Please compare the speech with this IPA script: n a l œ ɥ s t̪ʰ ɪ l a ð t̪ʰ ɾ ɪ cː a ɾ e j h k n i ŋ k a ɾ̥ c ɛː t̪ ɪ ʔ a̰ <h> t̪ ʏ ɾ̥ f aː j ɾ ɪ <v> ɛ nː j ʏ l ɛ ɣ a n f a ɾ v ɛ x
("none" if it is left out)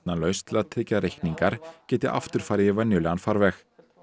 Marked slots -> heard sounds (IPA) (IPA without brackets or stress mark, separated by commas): f, v